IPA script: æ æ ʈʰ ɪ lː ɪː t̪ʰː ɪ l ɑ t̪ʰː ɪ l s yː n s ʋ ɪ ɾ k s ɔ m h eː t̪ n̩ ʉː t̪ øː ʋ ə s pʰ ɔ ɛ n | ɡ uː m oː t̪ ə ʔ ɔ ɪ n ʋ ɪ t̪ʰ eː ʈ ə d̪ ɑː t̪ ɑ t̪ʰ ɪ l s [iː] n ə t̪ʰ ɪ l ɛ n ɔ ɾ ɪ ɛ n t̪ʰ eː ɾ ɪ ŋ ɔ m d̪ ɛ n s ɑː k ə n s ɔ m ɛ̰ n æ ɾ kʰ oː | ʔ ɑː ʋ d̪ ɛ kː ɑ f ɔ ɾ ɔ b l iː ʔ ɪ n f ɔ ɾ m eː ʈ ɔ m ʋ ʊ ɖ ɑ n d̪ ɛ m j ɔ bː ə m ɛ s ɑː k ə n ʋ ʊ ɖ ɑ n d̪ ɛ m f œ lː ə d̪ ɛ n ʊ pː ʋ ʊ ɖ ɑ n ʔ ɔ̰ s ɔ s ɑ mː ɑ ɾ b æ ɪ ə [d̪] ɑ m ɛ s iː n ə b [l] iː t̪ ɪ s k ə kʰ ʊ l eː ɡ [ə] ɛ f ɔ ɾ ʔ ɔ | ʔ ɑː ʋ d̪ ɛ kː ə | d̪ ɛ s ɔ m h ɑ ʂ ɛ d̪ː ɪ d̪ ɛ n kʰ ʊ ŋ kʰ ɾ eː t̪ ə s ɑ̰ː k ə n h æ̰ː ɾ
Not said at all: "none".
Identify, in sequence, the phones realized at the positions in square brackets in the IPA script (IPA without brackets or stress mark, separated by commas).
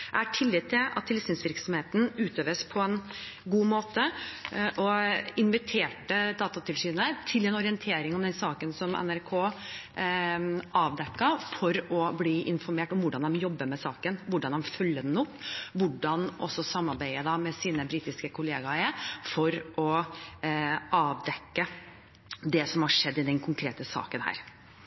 yː, d̪, ɾ, ɑ